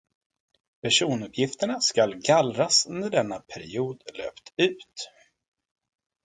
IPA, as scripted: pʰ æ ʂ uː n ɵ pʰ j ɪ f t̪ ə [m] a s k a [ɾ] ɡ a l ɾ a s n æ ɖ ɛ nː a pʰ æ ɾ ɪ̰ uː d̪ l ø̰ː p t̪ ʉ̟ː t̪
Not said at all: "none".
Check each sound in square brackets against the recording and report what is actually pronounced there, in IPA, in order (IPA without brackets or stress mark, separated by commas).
ɳ, l